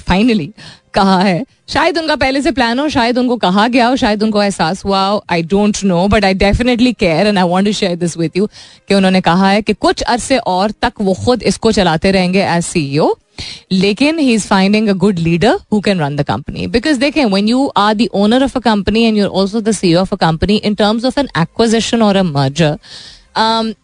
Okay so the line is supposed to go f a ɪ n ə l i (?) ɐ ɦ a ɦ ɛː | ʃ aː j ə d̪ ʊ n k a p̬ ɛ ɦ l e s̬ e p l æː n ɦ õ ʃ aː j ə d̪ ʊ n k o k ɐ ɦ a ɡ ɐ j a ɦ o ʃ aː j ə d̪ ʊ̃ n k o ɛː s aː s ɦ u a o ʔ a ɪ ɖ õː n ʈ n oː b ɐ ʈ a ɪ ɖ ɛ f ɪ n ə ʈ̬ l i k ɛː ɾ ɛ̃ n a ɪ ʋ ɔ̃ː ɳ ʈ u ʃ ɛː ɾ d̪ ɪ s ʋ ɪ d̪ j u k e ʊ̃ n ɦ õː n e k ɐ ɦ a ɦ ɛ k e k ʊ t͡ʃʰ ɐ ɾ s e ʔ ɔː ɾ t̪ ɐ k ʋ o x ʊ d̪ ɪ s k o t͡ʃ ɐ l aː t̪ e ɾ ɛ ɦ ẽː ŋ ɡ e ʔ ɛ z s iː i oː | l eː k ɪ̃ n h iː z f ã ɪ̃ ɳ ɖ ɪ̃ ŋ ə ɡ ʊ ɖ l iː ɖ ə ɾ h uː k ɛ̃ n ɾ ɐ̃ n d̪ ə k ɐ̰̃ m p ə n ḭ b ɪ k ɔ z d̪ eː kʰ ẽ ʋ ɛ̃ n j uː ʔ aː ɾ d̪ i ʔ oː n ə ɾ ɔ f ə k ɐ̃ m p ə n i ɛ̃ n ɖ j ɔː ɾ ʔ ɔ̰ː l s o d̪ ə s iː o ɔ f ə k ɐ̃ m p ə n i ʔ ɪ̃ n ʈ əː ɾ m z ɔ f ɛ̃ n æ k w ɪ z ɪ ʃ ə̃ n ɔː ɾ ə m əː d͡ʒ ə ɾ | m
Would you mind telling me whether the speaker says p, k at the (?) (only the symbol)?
k